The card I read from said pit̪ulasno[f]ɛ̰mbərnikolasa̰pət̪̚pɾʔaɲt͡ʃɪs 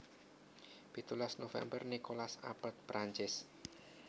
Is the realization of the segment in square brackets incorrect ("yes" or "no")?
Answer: no